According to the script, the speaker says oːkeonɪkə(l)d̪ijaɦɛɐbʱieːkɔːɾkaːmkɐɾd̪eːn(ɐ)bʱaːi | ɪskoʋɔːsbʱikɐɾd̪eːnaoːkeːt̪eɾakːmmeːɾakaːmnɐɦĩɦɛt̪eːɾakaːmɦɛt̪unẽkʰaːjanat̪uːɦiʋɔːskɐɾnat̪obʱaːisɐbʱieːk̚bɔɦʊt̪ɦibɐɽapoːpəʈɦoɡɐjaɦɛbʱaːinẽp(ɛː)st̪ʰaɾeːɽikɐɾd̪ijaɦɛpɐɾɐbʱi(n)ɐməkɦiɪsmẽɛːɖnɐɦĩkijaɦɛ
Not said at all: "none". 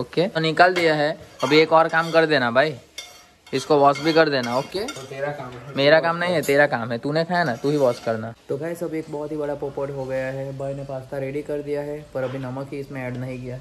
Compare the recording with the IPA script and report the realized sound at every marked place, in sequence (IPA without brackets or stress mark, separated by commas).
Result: l, a, aː, n